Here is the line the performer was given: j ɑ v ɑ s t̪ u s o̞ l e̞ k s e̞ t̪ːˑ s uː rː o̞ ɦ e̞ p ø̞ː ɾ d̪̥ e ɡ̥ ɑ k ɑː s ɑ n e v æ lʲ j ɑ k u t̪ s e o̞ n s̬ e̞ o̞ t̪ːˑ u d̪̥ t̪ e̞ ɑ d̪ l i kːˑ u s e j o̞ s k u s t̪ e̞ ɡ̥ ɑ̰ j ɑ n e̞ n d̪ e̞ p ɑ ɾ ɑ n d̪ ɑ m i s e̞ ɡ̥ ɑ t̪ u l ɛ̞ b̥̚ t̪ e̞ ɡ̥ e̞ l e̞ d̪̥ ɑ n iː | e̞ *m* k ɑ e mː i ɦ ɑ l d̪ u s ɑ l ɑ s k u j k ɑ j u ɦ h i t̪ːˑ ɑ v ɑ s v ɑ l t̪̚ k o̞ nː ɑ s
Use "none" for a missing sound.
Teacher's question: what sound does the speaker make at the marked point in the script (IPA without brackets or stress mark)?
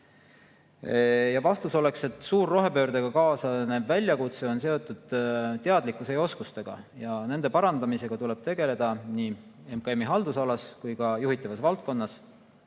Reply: m